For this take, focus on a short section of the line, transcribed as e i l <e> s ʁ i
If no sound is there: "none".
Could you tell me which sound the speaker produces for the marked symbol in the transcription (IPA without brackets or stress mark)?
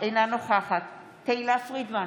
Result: a